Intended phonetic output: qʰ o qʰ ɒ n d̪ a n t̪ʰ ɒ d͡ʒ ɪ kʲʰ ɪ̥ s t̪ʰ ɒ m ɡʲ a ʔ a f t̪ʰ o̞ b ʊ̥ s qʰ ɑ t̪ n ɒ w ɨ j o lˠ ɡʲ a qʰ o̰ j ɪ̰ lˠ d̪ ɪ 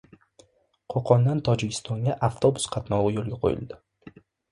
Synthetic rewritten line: qʰ o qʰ ɒ n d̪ a n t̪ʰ ɒ d͡ʒ ɪ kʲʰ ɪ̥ s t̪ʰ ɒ ŋ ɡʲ a ʔ a f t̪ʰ o̞ b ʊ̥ s qʰ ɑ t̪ n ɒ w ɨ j o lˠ ɡʲ a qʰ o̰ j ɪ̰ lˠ d̪ ɪ